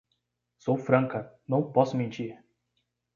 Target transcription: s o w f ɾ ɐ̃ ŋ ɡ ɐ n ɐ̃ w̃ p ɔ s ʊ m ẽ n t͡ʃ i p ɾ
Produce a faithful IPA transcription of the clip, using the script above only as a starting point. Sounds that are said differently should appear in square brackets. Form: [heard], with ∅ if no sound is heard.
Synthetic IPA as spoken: s o w f ɾ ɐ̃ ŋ [k] ɐ n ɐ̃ w̃ p ɔ s ʊ m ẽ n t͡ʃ i [∅] ɾ